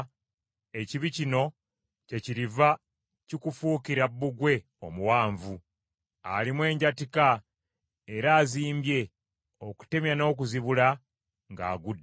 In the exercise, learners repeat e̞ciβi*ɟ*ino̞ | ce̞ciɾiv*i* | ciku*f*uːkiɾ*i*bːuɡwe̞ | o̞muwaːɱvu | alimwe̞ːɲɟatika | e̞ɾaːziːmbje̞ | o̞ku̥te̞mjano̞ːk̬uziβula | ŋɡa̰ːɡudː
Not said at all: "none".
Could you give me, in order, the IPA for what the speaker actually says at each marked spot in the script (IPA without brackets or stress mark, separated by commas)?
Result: c, a, f, a